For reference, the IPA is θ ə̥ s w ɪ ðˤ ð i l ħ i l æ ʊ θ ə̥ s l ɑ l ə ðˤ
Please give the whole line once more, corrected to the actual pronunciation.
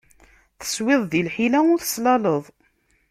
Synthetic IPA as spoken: θ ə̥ s w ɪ ðˤ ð i l ħ i l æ ʊ θ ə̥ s l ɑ l ə ðˤ

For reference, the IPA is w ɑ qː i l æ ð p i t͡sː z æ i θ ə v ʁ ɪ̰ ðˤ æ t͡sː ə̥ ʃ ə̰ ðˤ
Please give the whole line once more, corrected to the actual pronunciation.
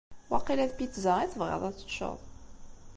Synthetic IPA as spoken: w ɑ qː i l æ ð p i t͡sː z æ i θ ə v ʁ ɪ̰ ðˤ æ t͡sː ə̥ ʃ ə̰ ðˤ

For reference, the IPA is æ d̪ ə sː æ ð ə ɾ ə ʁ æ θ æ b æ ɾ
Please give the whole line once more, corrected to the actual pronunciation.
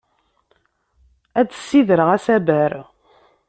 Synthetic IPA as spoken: æ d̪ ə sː i ð ə ɾ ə ʁ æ s æ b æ ɾ

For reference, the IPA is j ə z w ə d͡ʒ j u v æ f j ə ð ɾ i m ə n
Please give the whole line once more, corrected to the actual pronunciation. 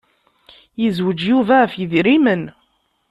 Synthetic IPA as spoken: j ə z w ə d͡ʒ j u v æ f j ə ð ɾ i m ə n

